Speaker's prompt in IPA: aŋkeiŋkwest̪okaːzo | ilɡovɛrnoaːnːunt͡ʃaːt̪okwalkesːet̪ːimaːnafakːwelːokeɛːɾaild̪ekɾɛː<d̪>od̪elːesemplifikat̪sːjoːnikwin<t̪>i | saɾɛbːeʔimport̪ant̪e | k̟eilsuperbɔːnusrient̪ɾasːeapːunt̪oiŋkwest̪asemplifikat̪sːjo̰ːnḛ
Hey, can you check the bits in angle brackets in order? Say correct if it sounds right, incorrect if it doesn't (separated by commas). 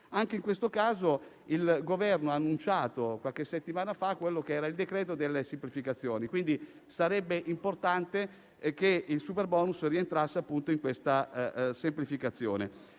incorrect, incorrect